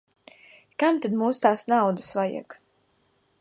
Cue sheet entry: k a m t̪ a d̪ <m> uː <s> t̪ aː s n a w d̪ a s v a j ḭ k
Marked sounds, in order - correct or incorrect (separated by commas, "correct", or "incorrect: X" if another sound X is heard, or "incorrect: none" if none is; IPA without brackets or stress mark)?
correct, correct